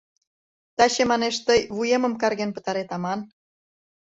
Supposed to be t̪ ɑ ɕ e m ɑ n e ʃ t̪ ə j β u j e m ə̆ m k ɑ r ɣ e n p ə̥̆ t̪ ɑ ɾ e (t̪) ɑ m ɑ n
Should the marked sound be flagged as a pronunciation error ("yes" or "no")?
no